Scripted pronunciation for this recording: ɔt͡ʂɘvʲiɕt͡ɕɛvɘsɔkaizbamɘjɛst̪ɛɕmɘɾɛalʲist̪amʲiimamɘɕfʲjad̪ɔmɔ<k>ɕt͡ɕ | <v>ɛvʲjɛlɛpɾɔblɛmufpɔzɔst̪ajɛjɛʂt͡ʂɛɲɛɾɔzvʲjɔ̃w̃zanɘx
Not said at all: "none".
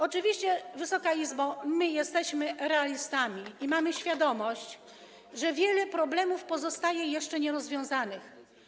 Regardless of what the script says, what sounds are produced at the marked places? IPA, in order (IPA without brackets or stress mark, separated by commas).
none, ʐ